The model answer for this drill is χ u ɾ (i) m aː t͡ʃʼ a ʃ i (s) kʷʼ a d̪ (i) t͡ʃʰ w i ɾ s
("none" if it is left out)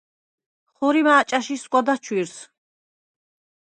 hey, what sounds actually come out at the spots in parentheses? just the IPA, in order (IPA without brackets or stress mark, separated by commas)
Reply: i, s, a